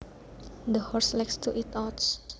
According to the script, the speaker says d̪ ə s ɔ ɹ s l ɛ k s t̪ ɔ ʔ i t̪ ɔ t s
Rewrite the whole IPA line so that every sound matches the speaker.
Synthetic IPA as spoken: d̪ ə h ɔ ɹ s l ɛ k s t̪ u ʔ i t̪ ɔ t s